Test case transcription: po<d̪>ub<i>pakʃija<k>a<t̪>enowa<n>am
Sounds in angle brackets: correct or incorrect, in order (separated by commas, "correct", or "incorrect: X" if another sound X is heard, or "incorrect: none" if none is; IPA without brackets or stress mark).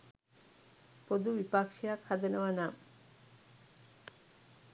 correct, correct, incorrect: kʰ, incorrect: d̪, correct